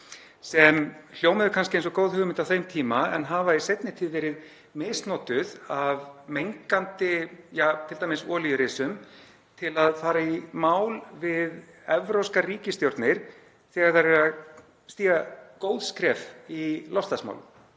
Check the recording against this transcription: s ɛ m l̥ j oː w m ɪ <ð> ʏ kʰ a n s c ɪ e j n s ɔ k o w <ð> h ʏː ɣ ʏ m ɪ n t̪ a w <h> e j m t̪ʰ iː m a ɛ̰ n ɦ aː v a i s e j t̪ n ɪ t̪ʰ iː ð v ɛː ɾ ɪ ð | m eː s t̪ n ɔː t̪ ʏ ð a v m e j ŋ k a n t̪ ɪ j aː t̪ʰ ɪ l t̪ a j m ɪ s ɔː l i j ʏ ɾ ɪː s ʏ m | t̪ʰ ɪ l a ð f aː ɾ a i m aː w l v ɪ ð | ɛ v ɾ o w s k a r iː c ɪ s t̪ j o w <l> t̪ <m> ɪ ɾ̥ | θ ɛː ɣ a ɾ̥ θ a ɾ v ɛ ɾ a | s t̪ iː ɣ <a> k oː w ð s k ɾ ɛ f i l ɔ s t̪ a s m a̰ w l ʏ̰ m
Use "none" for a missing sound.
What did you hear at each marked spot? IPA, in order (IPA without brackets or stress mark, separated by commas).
ð, ð, θ, ɾ, n, a